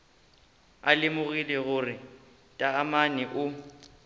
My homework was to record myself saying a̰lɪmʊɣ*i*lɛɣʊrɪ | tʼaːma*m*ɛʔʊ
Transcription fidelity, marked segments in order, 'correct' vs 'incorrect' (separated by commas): correct, incorrect